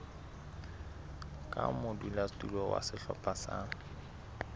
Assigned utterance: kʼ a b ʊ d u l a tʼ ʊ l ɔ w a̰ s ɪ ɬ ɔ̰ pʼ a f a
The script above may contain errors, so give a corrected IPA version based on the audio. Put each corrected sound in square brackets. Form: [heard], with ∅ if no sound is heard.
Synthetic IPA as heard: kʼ a [m] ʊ d u l a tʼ [u] l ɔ w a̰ s ɪ ɬ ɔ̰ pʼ a [s] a